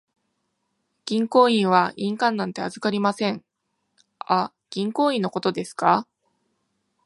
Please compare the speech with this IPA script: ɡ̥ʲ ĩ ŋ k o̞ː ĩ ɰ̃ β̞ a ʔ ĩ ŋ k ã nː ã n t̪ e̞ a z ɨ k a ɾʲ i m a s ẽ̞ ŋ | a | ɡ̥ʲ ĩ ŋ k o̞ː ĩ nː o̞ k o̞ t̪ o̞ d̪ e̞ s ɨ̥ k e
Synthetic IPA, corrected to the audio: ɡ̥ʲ ĩ ŋ k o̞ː ĩ ɰ̃ β̞ a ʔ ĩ ŋ k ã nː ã n t̪ e̞ a z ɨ k a ɾʲ i m a s ẽ̞ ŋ | a | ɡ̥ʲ ĩ ŋ k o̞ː ĩ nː o̞ k o̞ t̪ o̞ d̪ e̞ s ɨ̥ k a